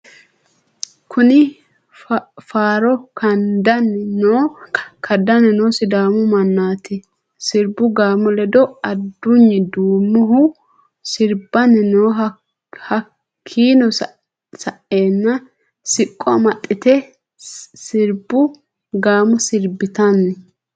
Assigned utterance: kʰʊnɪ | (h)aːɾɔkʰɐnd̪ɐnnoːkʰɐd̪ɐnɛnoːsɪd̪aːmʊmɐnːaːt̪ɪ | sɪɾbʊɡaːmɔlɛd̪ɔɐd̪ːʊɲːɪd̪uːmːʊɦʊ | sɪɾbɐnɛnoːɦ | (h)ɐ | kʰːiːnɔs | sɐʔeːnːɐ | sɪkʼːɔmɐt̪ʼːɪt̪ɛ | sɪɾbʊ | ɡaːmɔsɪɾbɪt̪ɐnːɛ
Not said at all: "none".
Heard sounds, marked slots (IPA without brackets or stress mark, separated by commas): f, h